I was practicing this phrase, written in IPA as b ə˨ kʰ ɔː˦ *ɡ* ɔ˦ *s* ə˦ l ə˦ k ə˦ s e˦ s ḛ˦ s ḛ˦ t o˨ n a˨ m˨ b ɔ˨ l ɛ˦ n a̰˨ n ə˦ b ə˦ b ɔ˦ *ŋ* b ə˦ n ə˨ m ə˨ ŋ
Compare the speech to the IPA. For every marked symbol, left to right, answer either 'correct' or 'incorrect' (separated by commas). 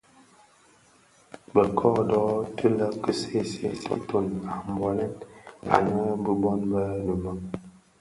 incorrect, incorrect, incorrect